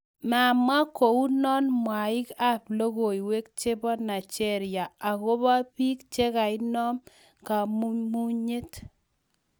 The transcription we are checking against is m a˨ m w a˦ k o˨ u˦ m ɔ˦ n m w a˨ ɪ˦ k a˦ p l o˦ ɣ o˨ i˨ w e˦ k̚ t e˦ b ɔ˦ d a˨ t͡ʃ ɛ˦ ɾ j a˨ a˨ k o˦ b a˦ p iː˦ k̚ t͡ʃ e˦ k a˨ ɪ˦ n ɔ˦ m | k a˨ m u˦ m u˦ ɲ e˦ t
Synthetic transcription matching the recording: m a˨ m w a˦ k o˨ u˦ n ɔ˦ n m w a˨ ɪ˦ k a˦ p l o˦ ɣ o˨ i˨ w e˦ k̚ t͡ʃ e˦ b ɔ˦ n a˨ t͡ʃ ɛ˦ ɾ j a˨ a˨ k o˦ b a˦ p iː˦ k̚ t͡ʃ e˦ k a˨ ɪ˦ n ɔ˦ m | k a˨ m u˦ m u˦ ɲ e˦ t